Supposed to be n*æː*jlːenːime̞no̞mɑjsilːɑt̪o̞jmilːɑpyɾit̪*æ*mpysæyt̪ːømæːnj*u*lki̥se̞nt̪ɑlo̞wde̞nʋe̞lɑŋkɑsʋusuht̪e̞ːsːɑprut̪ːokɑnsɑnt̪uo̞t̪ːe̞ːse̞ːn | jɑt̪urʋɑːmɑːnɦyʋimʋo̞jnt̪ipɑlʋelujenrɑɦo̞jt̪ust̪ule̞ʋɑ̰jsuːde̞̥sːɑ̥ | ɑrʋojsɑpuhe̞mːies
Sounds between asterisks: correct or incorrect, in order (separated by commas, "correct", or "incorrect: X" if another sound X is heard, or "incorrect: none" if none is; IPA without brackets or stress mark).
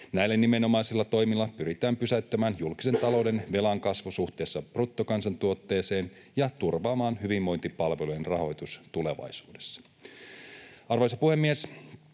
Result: incorrect: æ, incorrect: æː, correct